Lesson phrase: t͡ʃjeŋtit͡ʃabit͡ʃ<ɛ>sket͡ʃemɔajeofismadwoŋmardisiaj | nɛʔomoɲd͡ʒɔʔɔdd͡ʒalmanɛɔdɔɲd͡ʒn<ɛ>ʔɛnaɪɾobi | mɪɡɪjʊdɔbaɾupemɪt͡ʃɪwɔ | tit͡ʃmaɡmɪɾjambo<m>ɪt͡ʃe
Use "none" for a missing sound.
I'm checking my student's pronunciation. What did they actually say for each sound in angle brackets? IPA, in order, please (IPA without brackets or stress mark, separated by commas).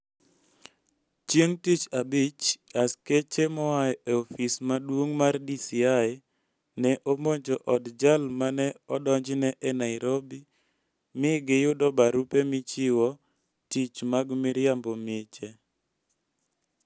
a, ɛ, m